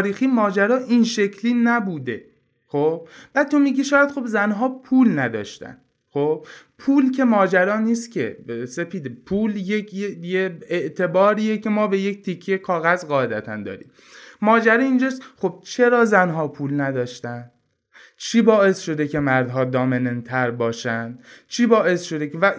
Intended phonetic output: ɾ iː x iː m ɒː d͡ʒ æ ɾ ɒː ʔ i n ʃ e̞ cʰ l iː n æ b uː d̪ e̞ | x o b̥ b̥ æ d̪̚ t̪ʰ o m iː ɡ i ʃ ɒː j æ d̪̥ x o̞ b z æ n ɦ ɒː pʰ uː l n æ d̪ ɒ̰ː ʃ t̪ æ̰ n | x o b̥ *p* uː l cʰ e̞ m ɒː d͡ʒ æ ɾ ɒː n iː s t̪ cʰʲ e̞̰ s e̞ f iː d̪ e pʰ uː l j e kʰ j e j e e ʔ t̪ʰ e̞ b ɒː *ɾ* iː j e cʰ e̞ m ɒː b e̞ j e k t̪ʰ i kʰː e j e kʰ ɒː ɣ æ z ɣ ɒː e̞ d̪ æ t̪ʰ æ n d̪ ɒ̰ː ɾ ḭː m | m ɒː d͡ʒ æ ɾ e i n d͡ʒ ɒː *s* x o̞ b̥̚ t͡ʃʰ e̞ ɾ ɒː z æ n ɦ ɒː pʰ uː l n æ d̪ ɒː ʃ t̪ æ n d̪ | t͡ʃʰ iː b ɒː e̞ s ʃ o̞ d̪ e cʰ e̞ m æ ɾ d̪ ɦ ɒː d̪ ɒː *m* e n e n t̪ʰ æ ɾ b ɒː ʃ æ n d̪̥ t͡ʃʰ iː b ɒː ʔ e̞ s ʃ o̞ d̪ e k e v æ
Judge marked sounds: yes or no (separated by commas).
no, yes, yes, yes